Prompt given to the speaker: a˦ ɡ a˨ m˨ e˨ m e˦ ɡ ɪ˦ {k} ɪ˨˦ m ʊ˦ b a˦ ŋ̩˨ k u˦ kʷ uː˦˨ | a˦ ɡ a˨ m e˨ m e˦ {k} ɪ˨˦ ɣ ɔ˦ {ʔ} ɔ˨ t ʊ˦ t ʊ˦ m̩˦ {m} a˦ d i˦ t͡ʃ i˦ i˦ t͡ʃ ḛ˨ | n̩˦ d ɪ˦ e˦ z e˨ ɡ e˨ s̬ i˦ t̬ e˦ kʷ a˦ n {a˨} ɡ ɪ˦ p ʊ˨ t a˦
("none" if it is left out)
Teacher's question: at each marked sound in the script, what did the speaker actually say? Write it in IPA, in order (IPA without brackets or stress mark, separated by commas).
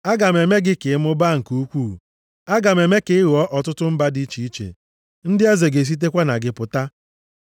k, k, ʔ, b, a˨